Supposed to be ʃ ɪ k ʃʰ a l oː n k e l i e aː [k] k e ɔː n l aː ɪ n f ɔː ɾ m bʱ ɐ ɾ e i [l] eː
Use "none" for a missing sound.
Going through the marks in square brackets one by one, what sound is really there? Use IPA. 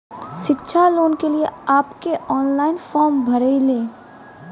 p, l

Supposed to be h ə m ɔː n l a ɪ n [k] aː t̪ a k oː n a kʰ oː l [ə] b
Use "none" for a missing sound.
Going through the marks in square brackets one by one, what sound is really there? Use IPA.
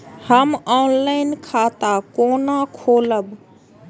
kʰ, ə

